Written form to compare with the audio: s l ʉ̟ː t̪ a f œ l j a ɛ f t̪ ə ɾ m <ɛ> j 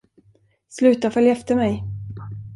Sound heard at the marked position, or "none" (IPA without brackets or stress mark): ɛ